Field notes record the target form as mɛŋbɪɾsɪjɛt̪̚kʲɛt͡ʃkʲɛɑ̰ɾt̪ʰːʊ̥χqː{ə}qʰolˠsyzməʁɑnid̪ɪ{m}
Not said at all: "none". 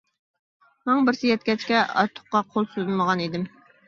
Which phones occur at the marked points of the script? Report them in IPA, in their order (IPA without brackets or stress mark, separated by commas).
ɑ, m